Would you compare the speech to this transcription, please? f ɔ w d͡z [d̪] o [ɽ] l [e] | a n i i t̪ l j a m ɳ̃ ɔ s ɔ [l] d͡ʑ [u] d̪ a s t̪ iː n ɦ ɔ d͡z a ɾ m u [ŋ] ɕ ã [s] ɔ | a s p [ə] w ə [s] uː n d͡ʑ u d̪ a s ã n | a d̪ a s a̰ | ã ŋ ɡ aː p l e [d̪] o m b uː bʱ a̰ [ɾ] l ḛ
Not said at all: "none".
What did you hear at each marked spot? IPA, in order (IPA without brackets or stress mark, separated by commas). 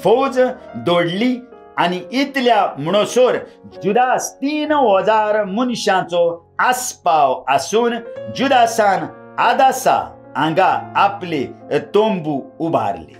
d̪, ɽ, i, ɾ, u, n, t͡s, a, s, t̪, ɾ